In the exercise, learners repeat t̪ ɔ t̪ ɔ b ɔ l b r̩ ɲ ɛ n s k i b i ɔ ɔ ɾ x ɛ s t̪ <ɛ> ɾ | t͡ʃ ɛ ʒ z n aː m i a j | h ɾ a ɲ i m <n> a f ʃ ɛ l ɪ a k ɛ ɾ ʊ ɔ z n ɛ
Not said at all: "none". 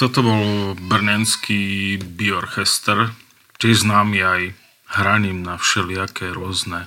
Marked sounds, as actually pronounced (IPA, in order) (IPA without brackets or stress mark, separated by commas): ɛ, n